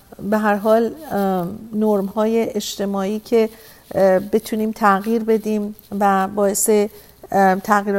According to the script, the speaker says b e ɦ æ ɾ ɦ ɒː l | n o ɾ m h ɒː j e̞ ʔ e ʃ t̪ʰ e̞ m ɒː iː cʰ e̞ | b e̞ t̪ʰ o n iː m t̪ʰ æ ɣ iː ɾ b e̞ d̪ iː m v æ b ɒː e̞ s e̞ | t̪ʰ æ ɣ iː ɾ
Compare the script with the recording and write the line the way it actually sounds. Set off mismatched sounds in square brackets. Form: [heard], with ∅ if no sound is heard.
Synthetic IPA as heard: b e ɦ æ ɾ ɦ ɒː l | n o ɾ m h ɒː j e̞ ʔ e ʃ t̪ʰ e̞ m ɒː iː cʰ e̞ | b e̞ t̪ʰ [u] n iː m t̪ʰ æ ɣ iː ɾ b e̞ d̪ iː m v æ b ɒː e̞ s e̞ | t̪ʰ æ ɣ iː ɾ